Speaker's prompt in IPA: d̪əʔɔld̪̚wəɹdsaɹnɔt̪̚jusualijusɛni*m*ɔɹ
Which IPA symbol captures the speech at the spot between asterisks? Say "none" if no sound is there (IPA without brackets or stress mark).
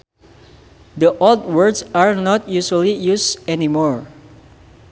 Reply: m